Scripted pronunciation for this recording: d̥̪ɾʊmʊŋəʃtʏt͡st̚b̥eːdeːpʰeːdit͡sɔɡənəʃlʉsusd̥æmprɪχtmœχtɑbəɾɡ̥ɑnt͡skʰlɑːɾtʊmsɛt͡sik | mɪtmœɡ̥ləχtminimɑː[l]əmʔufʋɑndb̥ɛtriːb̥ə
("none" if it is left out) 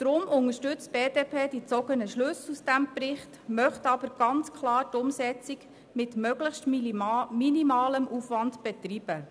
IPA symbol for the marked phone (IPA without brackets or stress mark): l